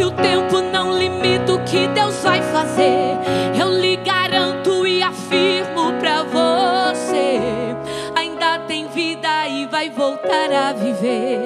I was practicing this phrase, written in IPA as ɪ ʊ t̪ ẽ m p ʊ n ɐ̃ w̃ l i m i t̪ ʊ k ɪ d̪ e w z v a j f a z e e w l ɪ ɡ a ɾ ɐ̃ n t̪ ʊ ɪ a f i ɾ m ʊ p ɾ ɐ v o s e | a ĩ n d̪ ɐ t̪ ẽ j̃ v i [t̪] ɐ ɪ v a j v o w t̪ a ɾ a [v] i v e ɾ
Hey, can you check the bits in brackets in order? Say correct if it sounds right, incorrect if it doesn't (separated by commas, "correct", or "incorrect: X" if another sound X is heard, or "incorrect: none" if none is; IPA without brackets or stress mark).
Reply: incorrect: d̪, correct